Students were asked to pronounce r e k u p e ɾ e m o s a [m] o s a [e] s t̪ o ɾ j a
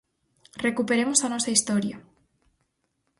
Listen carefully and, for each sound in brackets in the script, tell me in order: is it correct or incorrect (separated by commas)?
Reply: incorrect, incorrect